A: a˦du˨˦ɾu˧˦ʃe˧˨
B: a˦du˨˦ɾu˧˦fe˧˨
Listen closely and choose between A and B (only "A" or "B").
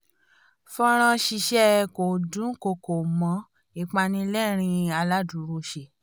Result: A